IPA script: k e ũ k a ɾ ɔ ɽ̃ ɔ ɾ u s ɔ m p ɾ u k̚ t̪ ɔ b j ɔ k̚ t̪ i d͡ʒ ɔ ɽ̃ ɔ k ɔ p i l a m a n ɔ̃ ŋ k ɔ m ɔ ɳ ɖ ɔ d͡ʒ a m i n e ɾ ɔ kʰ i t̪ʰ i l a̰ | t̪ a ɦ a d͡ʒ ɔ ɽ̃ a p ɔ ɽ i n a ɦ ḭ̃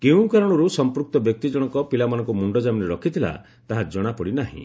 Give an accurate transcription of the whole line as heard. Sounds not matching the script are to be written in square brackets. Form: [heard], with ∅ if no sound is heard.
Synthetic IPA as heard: k e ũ k a ɾ ɔ ɽ̃ ɔ ɾ u s ɔ m p ɾ u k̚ t̪ ɔ b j ɔ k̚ t̪ i d͡ʒ ɔ ɽ̃ ɔ k ɔ p i l a m a n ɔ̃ ŋ k [u] m [u] ɳ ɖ ɔ d͡ʒ a m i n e ɾ ɔ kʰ i t̪ʰ i l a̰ | t̪ a ɦ a d͡ʒ ɔ ɽ̃ a p ɔ ɽ i n a ɦ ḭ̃

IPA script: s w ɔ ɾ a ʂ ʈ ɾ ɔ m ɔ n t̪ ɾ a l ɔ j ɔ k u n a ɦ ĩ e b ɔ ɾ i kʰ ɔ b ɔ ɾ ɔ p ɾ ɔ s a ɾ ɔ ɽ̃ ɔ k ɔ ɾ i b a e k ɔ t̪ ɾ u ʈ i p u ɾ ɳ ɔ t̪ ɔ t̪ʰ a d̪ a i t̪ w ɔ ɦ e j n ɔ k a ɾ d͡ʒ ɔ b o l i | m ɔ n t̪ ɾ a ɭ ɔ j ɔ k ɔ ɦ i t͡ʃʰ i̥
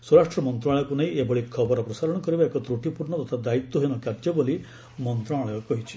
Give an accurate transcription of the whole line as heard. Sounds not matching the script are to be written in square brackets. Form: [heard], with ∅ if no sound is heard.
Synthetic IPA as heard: s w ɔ ɾ a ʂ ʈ ɾ ɔ m ɔ n t̪ ɾ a [ɭ] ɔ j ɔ k u n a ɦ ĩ e b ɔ [ɭ] i kʰ ɔ b ɔ ɾ ɔ p ɾ ɔ s a ɾ ɔ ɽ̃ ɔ k ɔ ɾ i b a e k ɔ t̪ ɾ u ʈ i p u ɾ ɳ ɔ t̪ ɔ t̪ʰ a d̪ a i t̪ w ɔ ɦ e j n ɔ k a ɾ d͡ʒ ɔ b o l i | m ɔ n t̪ ɾ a ɭ ɔ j ɔ k ɔ ɦ i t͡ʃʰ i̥

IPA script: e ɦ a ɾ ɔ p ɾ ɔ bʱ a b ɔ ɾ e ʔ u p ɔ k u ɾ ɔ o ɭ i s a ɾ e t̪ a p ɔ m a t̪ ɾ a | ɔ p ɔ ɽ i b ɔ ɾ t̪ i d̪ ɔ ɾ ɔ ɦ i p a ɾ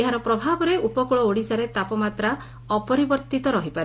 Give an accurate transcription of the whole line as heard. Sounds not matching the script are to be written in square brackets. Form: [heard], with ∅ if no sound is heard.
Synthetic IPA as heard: e ɦ a ɾ ɔ p ɾ ɔ bʱ a b ɔ ɾ e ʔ u p ɔ k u [ɭ] ɔ o [ɽ] i s a ɾ e t̪ a p ɔ m a t̪ ɾ a | ɔ p ɔ [ɾ] i b ɔ ɾ t̪ i [t̪] ɔ ɾ ɔ ɦ i p a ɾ

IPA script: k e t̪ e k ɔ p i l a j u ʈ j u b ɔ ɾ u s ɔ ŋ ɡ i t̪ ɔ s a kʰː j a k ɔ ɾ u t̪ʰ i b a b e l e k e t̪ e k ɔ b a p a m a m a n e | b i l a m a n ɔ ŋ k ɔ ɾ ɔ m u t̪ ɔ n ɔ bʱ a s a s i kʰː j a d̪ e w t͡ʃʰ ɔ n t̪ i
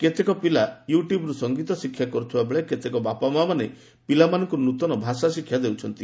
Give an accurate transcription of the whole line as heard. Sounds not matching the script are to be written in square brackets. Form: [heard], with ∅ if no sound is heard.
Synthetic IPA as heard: k e t̪ e k ɔ p i l a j u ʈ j u b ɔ ɾ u s ɔ ŋ ɡ i t̪ ɔ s [i] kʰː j a k ɔ ɾ u t̪ʰ i b a b e [ɭ] e k e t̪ e k ɔ b a p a m a m a n e | [p] i l a m a n ɔ ŋ k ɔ ɾ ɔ [n] u t̪ ɔ n ɔ bʱ a s a s i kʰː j a d̪ e w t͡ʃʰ ɔ n t̪ i

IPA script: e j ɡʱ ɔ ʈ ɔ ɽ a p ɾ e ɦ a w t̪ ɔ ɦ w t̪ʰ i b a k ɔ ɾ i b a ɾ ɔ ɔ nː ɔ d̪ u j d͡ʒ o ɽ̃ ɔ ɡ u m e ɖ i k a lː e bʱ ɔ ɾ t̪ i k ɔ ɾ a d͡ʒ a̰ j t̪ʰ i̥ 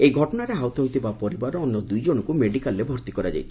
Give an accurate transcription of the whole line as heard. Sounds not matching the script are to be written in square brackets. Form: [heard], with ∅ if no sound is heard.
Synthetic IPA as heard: e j ɡʱ ɔ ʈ ɔ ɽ a [∅] ɾ e ɦ a w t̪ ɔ ɦ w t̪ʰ i b a [p] ɔ ɾ i b a ɾ ɔ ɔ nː ɔ d̪ u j d͡ʒ o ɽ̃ ɔ [k] u m e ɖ i k a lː e bʱ ɔ ɾ t̪ i k ɔ ɾ a d͡ʒ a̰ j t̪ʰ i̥

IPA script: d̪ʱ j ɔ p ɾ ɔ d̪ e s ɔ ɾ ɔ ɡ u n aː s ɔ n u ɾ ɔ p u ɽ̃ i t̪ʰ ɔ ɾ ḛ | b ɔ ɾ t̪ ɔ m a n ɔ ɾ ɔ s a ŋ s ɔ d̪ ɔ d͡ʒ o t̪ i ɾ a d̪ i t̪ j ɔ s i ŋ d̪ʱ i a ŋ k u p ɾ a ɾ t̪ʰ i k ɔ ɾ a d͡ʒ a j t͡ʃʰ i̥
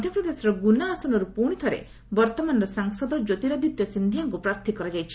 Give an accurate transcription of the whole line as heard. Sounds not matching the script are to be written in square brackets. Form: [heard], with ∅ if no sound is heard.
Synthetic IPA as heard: d̪ʱ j ɔ p ɾ ɔ d̪ e s ɔ ɾ ɔ ɡ u n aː s ɔ n [ɔ] ɾ [u] p u ɽ̃ i t̪ʰ ɔ ɾ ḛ | b ɔ ɾ t̪ ɔ m a n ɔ ɾ ɔ s a ŋ s ɔ d̪ ɔ d͡ʒ o t̪ i ɾ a d̪ i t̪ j ɔ s i [n] d̪ʱ i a ŋ k u p ɾ a ɾ t̪ʰ i k ɔ ɾ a d͡ʒ a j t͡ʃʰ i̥

